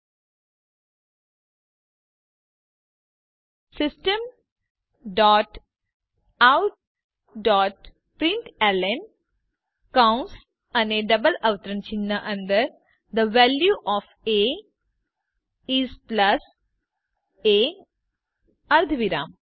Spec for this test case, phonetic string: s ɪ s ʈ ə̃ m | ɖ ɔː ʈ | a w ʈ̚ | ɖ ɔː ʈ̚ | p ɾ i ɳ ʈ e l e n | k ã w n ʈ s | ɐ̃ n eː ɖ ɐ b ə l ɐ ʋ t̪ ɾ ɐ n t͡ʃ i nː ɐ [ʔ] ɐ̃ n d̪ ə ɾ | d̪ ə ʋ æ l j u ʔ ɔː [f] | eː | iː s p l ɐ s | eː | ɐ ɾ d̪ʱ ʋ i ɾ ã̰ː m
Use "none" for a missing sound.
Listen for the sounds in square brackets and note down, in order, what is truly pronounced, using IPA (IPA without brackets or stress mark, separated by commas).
ʔ, f